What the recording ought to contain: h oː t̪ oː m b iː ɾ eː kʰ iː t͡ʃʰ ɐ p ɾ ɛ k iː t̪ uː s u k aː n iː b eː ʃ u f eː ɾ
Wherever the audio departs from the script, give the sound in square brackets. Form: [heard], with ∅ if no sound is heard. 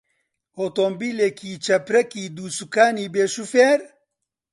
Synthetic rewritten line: h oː t̪ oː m b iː [l] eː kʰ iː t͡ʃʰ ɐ p ɾ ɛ k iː [d̪] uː s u k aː n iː b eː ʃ u f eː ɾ